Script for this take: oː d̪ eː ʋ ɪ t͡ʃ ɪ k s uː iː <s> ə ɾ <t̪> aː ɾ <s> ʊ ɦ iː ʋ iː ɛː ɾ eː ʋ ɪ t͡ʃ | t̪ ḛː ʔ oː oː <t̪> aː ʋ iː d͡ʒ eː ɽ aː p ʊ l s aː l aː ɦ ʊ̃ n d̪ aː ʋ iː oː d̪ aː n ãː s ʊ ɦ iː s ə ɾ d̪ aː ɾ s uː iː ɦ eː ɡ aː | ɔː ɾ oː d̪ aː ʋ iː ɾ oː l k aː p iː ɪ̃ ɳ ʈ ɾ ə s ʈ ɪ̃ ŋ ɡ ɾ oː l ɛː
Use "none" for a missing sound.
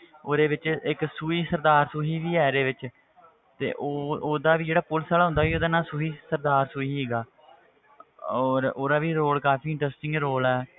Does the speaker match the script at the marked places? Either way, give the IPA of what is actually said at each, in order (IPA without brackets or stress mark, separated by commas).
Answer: s, d̪, s, d̪